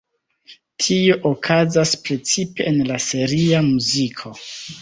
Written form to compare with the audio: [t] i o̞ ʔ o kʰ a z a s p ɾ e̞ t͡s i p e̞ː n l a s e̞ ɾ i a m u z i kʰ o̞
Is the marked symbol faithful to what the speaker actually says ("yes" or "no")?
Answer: no